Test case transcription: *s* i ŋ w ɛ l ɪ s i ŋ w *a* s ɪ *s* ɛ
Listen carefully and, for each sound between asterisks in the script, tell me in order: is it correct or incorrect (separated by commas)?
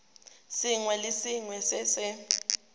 correct, incorrect, correct